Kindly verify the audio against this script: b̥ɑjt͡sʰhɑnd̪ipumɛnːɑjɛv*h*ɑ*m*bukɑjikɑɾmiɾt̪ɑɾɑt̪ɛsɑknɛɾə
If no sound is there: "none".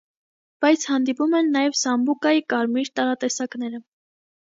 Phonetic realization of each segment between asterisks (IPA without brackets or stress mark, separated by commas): s, m